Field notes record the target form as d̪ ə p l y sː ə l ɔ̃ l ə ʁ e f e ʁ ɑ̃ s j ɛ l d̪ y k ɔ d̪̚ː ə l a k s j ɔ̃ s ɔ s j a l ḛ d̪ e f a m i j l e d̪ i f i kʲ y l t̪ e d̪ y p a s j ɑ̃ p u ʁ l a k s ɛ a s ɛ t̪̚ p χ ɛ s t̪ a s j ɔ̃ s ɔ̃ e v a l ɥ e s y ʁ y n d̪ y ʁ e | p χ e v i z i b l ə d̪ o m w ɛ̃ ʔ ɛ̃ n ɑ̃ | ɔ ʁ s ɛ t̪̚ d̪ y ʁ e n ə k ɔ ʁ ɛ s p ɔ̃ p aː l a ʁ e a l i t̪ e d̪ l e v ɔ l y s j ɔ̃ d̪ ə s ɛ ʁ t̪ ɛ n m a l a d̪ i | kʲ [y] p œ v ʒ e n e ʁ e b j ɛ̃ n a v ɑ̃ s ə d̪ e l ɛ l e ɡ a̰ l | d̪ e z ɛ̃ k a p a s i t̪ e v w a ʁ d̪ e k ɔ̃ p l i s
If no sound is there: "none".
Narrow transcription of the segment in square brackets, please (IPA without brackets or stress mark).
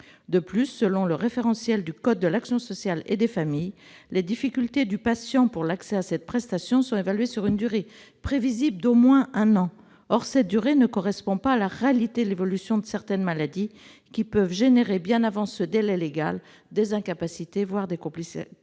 i